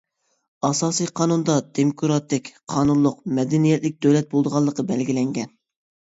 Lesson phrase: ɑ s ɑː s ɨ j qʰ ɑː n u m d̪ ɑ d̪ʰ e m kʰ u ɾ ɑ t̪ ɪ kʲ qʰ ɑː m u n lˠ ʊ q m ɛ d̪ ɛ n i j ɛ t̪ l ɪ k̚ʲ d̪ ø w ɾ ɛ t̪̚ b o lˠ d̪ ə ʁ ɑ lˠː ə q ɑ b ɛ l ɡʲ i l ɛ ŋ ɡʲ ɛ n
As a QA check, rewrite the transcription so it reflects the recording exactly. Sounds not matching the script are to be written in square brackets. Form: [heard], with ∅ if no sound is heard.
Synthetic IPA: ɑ s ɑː s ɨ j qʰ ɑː n u [n] d̪ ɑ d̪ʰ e m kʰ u ɾ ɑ t̪ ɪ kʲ qʰ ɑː [n] u n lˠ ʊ q m ɛ d̪ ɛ n i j ɛ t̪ l ɪ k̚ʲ d̪ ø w [l] ɛ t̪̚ b o lˠ d̪ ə ʁ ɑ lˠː ə q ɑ b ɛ l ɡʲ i l ɛ ŋ ɡʲ ɛ n